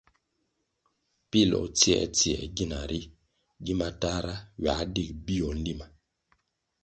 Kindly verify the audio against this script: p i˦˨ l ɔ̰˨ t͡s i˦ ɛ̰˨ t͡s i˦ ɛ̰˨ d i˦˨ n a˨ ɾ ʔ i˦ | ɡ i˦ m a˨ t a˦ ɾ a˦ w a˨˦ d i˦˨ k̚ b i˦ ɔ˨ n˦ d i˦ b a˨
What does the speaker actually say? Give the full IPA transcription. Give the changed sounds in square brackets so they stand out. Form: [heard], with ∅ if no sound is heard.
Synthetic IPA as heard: p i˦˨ l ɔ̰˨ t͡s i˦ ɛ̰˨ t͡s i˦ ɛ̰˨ [ɡ] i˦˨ n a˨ ɾ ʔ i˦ | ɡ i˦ m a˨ t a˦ ɾ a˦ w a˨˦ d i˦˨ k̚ b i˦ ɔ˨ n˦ d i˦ [m] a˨